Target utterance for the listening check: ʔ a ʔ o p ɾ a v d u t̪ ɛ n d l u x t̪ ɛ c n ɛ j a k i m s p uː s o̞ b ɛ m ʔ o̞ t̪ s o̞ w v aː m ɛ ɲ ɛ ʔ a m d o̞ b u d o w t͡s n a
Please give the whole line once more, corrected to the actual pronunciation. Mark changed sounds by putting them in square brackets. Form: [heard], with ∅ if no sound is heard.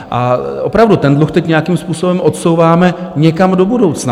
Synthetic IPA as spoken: ʔ a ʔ o p ɾ a v d u t̪ ɛ n d l u x t̪ ɛ c [ɲ] ɛ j a k i m s p uː s o̞ b ɛ m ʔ o̞ t̪ s o̞ w v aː m ɛ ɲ ɛ [k] a m d o̞ b u d o w t͡s n a